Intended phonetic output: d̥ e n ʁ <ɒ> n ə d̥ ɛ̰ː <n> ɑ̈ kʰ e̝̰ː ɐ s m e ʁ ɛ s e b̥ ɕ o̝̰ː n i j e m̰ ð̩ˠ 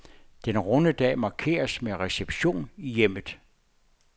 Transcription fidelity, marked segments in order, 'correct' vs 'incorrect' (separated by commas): incorrect, incorrect